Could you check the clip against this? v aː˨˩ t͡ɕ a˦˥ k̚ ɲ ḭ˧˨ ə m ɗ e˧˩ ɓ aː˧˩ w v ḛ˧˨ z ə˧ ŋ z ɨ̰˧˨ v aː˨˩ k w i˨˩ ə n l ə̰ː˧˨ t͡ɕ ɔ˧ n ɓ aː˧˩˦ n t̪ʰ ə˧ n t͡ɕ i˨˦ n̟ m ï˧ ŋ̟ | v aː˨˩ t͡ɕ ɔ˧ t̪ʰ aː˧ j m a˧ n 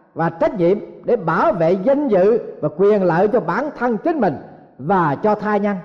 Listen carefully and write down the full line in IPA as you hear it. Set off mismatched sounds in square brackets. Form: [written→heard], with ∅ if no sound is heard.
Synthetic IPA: v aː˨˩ t͡ɕ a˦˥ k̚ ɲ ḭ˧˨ ə m ɗ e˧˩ ɓ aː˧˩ w v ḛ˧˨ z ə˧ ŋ z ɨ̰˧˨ v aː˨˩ k w i˨˩ ə n l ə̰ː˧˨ t͡ɕ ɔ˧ [n→∅] ɓ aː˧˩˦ n t̪ʰ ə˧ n t͡ɕ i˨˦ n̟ m [ï˧→ï˨˩] ŋ̟ | v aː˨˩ t͡ɕ ɔ˧ t̪ʰ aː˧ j [m→ɲ] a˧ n